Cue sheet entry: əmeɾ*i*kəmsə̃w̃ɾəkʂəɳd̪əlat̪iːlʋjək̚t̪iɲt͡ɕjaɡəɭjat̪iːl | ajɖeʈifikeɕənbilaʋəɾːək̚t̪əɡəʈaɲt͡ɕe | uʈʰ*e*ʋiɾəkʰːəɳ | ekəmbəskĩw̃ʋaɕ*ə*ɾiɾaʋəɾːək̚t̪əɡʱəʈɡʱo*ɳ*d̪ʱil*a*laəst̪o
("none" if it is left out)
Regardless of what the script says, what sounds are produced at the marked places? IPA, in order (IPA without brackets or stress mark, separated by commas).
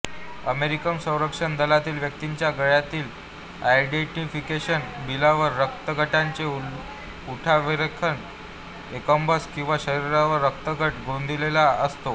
i, a, ə, n, e